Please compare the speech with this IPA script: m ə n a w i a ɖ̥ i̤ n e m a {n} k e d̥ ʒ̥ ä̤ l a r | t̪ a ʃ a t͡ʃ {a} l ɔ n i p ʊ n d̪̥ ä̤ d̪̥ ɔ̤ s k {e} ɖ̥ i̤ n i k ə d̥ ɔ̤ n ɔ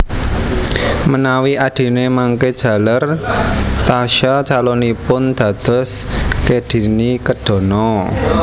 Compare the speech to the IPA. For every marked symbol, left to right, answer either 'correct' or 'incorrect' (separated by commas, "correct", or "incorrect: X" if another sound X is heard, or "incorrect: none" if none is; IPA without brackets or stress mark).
incorrect: ŋ, correct, correct